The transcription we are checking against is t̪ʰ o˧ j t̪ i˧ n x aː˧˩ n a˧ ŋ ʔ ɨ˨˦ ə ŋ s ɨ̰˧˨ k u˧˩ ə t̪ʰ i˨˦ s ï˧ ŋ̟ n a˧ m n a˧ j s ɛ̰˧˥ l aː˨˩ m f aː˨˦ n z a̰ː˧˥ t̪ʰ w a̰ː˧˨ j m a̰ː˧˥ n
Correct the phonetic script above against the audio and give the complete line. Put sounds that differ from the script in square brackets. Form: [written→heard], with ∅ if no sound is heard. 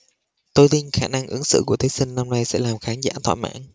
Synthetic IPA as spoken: [t̪ʰ→t̪] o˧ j t̪ i˧ n x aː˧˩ n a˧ ŋ ʔ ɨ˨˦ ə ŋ s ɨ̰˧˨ k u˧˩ ə t̪ʰ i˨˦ s ï˧ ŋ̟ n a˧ m n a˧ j s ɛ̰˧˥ l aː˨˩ m [f→x] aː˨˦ n z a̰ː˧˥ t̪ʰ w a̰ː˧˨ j m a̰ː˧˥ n